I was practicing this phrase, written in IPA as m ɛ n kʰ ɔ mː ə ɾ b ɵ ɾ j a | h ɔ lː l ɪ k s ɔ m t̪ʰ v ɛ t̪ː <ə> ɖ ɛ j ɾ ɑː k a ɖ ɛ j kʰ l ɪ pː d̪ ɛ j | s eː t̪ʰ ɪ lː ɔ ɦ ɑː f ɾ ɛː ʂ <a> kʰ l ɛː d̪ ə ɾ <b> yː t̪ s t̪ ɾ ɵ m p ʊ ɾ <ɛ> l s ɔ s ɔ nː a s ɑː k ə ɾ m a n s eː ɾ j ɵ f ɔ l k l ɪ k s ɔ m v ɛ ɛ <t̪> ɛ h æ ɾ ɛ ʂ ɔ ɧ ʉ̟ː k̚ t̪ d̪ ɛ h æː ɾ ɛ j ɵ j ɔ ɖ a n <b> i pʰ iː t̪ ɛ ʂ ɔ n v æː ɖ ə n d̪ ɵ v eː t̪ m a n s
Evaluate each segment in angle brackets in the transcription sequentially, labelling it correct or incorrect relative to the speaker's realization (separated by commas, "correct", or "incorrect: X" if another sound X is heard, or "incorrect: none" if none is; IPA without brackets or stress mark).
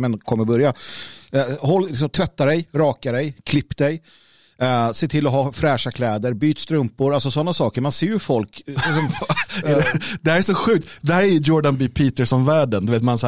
incorrect: a, correct, correct, incorrect: a, incorrect: d̪, correct